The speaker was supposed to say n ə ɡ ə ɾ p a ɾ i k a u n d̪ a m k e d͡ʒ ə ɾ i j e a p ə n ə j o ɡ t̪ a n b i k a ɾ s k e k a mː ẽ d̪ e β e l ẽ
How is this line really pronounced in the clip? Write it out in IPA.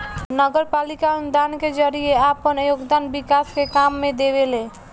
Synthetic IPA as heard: n ə ɡ ə ɾ p a l i k a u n d̪ a n k e d͡ʒ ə ɾ i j e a p ə n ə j o ɡ d̪ a n b i k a s k e k a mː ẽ d̪ e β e l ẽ